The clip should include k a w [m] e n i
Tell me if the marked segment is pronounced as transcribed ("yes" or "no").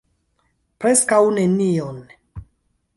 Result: no